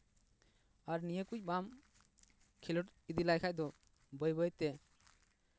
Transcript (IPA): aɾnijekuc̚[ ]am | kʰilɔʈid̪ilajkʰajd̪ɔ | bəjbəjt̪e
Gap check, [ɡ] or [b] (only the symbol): b